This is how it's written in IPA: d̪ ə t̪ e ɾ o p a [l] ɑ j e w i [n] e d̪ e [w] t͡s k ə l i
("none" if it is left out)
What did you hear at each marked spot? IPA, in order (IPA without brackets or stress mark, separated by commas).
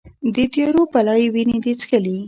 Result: l, n, none